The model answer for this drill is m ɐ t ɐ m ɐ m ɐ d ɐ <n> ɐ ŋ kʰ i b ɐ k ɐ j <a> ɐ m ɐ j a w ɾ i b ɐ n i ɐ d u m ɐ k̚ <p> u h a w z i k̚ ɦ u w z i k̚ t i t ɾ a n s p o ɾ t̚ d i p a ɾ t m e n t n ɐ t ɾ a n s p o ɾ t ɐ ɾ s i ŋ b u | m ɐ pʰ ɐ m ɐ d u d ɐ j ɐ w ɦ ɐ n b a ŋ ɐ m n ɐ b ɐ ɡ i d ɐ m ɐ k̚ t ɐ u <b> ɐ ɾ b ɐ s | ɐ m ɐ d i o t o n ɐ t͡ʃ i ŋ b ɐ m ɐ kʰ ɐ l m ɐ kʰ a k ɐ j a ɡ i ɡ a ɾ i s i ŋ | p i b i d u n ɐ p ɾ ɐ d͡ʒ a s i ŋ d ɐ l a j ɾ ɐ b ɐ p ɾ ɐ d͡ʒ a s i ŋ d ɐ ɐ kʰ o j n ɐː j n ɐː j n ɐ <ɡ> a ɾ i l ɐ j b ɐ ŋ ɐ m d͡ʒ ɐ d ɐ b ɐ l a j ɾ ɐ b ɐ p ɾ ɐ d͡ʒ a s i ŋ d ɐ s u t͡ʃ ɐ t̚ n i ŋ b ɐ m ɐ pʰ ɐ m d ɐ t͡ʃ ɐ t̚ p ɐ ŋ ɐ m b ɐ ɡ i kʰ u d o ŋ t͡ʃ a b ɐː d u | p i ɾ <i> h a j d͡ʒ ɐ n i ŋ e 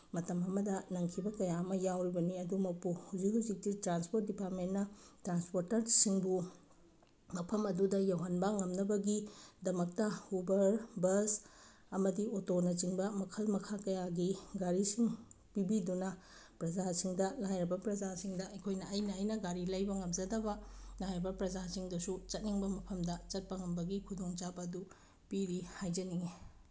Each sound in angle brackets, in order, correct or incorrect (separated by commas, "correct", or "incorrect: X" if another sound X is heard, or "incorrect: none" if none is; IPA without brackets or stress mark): correct, correct, correct, correct, correct, correct